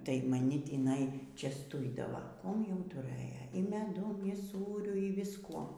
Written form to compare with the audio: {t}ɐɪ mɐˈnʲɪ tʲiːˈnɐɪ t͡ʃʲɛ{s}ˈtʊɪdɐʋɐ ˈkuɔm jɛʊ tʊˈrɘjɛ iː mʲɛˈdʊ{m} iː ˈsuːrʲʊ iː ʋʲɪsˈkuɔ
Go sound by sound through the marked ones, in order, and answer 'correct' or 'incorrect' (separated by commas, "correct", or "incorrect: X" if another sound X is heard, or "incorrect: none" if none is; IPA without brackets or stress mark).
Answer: correct, correct, correct